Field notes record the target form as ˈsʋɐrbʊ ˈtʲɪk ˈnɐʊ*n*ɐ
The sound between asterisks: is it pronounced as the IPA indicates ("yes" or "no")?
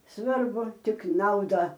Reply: no